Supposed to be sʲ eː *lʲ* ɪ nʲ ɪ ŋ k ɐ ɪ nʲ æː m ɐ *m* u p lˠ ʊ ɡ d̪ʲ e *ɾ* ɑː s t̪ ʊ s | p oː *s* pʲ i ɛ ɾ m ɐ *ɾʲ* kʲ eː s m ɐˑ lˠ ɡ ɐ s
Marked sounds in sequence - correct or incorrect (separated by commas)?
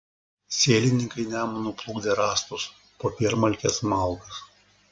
correct, incorrect, correct, incorrect, incorrect